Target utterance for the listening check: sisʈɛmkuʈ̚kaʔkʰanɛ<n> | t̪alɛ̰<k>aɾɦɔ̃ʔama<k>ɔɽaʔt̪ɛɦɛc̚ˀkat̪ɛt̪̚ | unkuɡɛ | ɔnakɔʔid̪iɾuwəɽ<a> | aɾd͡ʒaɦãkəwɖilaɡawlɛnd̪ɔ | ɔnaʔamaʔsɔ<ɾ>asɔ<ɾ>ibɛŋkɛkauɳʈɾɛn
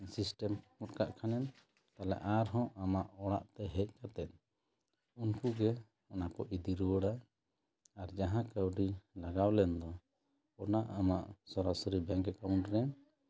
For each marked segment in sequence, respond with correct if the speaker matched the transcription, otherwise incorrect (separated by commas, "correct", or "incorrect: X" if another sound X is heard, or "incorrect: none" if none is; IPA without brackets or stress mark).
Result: correct, incorrect: ʔ, incorrect: ʔ, correct, correct, correct